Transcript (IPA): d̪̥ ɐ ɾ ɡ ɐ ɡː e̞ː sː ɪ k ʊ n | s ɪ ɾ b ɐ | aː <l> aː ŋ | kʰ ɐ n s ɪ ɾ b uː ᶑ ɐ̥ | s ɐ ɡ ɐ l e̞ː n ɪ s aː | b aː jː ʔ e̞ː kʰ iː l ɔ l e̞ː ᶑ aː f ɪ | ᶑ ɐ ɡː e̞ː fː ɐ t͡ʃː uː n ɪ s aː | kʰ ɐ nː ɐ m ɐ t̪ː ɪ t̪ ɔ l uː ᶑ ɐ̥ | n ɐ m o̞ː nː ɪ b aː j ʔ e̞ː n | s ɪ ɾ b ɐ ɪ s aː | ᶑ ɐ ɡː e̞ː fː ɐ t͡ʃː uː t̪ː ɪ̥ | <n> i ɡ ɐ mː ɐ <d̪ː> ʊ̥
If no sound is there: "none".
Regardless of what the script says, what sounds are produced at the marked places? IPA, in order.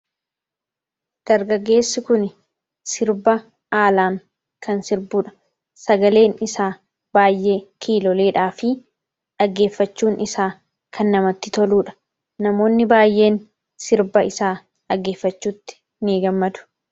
l, n, d̪

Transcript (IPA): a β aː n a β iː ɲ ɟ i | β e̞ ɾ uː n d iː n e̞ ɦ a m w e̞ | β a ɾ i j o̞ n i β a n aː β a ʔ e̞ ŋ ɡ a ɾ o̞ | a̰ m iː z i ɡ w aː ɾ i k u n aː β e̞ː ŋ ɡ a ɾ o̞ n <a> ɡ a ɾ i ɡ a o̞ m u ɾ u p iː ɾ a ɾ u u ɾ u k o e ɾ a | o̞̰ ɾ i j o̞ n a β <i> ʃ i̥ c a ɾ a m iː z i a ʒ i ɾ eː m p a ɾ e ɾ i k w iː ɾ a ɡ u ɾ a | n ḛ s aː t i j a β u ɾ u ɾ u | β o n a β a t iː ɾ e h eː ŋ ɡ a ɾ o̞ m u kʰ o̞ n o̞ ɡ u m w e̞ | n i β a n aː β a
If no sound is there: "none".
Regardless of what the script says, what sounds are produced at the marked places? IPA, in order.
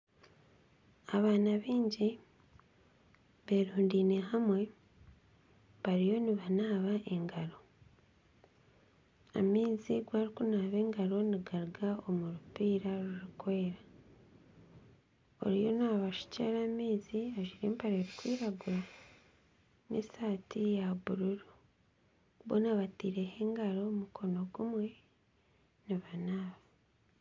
i, a

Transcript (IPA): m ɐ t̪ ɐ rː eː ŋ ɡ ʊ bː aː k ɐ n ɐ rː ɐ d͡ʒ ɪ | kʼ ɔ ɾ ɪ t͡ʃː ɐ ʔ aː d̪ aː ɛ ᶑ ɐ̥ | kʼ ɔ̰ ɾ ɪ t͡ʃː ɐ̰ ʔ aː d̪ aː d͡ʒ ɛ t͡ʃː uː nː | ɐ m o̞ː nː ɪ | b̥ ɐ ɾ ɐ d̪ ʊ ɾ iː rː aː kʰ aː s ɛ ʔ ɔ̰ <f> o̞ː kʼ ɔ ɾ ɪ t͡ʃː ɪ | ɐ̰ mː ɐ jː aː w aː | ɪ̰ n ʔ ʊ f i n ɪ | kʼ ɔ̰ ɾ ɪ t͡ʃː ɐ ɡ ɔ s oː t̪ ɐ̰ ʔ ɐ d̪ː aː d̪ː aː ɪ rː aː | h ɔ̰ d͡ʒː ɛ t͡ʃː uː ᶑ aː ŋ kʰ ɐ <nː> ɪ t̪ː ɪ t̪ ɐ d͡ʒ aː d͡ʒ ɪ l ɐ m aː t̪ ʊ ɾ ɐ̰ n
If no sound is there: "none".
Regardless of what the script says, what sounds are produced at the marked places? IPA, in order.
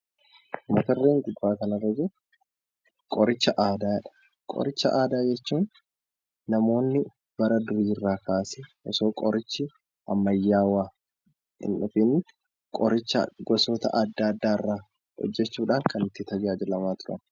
s, n

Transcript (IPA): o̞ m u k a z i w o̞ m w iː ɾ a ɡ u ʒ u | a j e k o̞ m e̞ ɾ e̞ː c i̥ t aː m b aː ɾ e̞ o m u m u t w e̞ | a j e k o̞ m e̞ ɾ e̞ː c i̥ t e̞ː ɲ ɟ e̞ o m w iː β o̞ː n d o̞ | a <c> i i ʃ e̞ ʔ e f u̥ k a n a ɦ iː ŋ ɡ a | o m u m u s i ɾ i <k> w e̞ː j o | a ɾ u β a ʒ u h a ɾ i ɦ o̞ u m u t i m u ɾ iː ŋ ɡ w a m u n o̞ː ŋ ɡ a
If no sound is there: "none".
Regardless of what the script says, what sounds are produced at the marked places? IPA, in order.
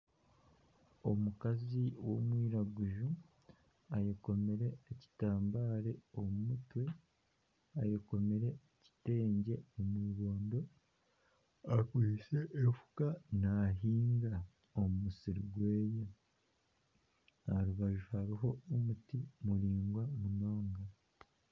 k, ɡ

